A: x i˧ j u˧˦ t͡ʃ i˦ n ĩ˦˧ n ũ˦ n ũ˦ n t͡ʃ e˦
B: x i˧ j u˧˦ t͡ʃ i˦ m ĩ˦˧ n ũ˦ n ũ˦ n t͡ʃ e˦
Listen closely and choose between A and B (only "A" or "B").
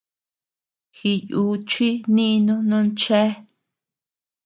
A